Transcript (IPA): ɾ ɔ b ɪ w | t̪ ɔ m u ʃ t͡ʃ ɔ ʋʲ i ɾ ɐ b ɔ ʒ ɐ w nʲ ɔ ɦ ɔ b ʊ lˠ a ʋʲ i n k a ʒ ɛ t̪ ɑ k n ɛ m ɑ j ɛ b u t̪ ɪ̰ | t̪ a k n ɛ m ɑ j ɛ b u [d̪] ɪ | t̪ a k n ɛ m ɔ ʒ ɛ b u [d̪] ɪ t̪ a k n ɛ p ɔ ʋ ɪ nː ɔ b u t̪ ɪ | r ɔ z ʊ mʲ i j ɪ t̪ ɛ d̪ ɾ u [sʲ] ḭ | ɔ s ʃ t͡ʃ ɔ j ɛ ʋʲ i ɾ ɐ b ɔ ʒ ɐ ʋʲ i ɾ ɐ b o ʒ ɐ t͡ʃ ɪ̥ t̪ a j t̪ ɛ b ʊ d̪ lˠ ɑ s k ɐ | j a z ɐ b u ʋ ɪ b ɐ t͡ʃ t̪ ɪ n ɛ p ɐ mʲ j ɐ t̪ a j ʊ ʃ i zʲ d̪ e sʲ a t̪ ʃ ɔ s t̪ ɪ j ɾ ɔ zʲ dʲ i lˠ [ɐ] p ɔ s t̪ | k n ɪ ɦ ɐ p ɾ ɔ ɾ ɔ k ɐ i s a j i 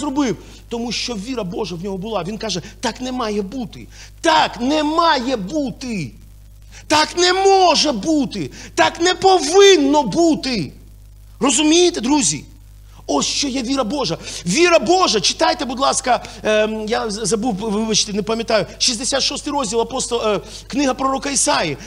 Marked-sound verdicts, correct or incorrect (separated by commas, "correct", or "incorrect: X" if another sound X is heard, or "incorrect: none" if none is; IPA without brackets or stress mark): incorrect: t̪, incorrect: t̪, incorrect: zʲ, correct